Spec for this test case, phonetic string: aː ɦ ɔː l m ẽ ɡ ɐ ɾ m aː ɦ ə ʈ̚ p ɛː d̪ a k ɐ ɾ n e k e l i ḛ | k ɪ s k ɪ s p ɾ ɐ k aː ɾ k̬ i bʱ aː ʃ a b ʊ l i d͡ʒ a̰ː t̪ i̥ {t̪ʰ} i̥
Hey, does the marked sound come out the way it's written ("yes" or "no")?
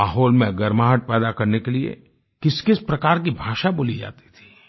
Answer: yes